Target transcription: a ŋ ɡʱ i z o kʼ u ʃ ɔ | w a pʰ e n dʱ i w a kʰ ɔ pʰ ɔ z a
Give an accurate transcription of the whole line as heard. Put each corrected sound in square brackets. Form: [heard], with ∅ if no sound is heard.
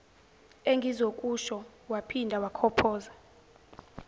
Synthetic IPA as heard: [e] ŋ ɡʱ i z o kʼ u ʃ ɔ | w a pʰ [i] n dʱ [a] w a kʰ ɔ pʰ [ɔː] z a

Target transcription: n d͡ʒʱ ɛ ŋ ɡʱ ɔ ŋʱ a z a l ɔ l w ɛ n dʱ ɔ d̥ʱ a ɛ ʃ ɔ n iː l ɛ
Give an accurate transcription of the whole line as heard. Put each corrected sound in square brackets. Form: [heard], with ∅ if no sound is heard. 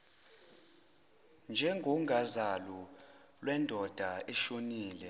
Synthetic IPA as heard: n d͡ʒʱ ɛ ŋ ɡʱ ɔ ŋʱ a z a l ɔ l w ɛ n dʱ ɔ d̥ʱ a ɛ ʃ [o] n iː l ɛ

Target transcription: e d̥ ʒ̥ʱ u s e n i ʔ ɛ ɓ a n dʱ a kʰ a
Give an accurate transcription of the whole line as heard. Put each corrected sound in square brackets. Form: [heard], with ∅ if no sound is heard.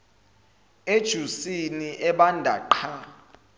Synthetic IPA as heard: e d̥ ʒ̥ʱ u s [i] n i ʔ ɛ ɓ a n dʱ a [ǃʰ] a

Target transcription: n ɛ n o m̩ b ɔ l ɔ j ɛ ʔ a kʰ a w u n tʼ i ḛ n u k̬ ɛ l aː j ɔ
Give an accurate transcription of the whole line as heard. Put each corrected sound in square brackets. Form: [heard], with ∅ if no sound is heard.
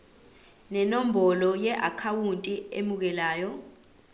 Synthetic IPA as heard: n ɛ n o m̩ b ɔ l ɔ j ɛ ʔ a kʰ a w u n tʼ i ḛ [m] u k̬ ɛ l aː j ɔ

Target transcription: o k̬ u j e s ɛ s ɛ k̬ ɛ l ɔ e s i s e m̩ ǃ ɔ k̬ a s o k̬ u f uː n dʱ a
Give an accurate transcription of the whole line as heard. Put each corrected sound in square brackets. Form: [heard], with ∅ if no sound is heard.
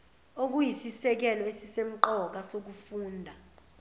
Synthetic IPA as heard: o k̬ u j [i] s [i] s ɛ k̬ ɛ l ɔ e s i s e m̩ ǃ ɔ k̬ a s o k̬ u f uː n dʱ a

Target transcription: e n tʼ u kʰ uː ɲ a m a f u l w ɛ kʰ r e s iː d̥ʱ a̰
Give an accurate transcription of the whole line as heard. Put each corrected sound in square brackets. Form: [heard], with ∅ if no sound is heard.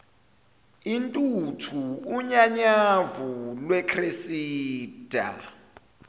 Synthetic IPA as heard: [i] n tʼ u [tʰ] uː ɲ a [ɲ] a [v] u l w ɛ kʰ r e s iː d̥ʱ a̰

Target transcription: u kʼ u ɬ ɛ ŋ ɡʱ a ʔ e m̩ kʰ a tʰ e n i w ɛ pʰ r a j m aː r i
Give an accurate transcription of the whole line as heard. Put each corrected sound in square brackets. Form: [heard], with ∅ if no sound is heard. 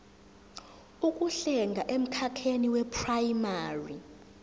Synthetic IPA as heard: u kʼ u ɬ ɛ ŋ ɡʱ a ʔ e m̩ kʰ a [kʰ] e n i w ɛ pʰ r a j m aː r i

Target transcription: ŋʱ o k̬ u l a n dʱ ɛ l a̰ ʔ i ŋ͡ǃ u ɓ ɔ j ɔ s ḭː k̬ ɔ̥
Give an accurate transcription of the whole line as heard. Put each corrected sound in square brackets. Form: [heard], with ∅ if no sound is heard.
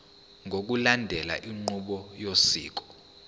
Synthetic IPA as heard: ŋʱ o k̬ u l a n dʱ ɛ l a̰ ʔ i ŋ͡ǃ u ɓ ɔ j [o] s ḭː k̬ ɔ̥

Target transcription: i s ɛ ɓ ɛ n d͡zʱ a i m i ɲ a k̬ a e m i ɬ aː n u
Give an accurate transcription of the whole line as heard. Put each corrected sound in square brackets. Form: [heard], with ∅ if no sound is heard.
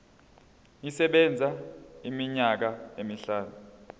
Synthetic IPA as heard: i s ɛ ɓ ɛ n d͡zʱ a i m i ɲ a k̬ a e m i ɬ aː n u

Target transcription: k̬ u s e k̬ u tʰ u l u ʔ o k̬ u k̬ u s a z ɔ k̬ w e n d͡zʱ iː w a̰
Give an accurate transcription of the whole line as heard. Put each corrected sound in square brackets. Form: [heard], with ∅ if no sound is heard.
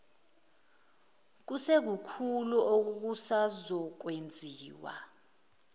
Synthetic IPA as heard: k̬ u s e k̬ u [kʰ] u l u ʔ o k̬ u k̬ u s a z ɔ k̬ w e n d͡zʱ iː w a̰

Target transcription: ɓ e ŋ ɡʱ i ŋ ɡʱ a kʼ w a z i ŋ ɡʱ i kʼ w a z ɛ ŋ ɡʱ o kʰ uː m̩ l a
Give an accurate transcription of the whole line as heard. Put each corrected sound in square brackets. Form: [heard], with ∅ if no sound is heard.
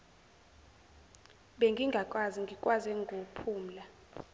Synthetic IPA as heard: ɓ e ŋ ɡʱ i ŋ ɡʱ a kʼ w a z i ŋ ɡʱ i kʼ w a z ɛ ŋ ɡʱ o [pʰ] uː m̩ l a

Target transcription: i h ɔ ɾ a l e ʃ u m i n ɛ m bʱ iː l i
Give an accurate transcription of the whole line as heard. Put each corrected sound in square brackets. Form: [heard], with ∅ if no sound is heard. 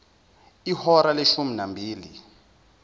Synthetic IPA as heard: i h ɔ ɾ a l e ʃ u m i n [a] m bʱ iː l i

